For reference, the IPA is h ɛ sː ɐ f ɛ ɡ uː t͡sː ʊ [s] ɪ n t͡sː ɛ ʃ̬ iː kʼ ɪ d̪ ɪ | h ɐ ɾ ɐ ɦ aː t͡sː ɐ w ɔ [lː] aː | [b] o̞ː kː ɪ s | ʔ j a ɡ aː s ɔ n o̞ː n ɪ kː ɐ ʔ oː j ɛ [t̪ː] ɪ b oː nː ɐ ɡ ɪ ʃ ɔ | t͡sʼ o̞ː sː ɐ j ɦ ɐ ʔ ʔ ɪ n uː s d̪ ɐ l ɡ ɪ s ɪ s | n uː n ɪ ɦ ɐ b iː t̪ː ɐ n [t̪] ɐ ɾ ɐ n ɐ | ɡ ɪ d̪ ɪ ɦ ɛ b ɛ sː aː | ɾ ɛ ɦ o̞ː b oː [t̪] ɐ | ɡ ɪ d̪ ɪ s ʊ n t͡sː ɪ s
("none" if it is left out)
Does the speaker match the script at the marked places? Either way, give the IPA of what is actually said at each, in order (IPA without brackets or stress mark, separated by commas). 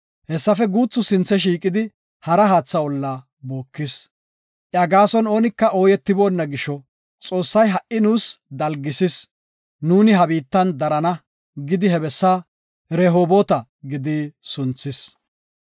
s, lː, b, t̪ː, d̪, t̪